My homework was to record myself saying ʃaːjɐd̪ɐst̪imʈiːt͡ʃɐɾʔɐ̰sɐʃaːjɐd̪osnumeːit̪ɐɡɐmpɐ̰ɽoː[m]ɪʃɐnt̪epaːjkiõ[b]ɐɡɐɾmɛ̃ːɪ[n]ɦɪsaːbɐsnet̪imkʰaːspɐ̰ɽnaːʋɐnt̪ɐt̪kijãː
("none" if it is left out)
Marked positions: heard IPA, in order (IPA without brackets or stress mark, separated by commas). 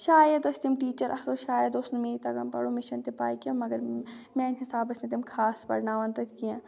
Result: m, m, n